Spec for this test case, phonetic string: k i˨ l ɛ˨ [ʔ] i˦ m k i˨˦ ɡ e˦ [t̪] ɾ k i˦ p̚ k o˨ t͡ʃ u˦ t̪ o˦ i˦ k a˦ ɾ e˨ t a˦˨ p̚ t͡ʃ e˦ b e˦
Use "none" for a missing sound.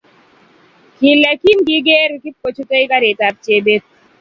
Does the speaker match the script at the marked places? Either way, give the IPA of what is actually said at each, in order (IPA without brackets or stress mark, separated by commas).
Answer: k, none